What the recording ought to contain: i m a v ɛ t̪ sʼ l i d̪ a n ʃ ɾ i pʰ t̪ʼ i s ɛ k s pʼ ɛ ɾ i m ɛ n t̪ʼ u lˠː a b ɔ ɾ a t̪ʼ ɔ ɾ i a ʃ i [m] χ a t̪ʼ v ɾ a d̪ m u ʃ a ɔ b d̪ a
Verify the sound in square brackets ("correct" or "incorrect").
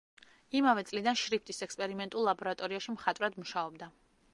correct